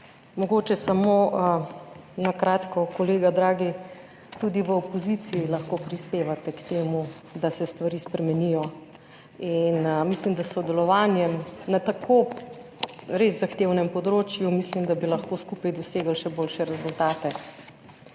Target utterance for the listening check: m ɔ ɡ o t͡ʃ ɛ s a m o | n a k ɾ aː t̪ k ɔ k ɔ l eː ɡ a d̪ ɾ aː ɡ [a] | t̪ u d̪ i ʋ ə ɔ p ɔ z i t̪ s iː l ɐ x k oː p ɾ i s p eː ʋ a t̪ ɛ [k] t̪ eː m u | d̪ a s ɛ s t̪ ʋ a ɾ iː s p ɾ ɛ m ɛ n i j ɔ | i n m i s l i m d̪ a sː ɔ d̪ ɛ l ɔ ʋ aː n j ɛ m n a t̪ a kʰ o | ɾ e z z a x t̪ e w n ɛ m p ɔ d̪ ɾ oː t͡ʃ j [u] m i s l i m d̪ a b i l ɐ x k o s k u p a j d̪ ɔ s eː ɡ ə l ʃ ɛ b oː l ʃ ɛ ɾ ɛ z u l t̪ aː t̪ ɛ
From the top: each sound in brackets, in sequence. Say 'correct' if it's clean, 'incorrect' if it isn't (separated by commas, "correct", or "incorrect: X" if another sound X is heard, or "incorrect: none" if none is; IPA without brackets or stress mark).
incorrect: i, correct, correct